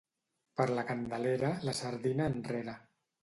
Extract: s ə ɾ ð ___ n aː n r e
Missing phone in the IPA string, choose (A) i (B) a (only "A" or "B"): A